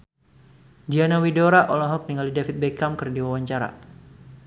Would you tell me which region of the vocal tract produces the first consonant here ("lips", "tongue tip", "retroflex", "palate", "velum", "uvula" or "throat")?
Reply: tongue tip